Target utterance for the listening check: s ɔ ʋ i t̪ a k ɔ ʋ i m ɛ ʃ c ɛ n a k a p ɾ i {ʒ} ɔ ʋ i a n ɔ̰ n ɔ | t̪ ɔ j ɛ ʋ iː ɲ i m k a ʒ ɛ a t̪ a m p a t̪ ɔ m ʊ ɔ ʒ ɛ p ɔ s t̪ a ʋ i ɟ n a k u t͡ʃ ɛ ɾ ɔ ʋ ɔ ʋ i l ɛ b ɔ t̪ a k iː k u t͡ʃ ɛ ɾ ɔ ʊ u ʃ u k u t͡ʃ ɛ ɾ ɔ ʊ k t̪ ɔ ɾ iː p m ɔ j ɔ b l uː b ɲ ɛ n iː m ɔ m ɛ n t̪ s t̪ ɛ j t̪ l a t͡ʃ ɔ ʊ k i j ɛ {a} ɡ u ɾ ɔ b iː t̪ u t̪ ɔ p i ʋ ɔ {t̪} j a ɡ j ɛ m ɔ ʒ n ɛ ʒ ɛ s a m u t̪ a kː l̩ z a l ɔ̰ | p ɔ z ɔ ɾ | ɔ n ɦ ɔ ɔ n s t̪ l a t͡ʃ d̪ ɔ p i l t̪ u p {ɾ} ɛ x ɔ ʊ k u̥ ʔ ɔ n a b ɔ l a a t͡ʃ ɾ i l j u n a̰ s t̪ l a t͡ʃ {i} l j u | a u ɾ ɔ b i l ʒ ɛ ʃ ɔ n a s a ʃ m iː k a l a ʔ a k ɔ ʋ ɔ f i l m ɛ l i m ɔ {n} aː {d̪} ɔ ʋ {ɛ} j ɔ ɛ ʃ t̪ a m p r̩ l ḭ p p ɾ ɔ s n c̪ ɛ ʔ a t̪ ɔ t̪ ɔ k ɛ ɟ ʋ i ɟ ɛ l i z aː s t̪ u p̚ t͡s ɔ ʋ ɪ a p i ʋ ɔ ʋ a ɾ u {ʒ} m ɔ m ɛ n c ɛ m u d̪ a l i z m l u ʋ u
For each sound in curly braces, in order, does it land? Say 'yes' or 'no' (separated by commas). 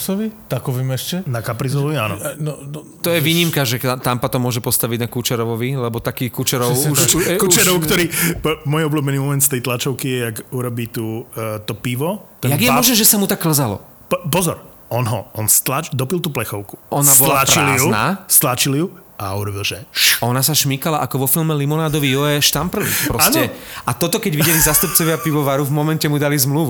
no, yes, yes, no, yes, yes, yes, no, no